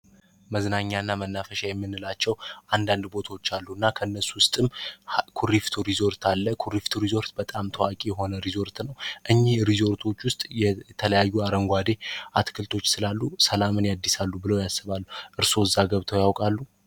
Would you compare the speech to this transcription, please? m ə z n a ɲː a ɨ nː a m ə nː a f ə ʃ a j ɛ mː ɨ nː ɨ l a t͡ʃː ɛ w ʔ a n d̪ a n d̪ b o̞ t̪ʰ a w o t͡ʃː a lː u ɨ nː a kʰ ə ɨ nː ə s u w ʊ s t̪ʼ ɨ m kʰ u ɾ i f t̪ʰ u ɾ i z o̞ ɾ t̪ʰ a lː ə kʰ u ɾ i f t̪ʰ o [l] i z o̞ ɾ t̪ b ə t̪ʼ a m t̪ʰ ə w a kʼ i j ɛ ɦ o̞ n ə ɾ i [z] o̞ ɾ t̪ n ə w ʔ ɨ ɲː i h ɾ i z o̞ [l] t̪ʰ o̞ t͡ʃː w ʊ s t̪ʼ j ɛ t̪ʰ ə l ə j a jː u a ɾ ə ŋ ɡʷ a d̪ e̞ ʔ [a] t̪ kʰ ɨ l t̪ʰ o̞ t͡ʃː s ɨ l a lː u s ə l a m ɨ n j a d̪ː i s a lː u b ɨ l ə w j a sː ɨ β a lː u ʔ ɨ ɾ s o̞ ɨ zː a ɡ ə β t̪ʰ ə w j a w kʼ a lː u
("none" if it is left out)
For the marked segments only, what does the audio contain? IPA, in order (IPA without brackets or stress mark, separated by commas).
ɾ, z, ɾ, a